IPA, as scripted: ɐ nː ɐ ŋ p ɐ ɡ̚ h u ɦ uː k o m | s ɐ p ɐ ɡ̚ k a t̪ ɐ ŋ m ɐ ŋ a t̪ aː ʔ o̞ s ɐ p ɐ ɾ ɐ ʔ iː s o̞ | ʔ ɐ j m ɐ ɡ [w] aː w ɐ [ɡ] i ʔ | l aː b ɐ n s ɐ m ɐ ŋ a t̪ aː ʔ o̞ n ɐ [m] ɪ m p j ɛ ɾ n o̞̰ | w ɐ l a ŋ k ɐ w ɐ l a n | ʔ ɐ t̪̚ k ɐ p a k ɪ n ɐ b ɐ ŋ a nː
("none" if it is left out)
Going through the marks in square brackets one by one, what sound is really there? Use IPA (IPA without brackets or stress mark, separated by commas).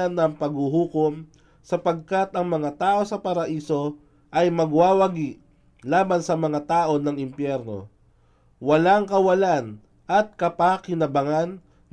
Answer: w, ɡ, ŋ